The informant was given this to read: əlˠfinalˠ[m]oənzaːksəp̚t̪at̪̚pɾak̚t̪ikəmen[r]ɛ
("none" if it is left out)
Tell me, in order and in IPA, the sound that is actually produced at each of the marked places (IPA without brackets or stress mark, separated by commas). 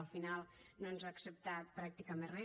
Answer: n, r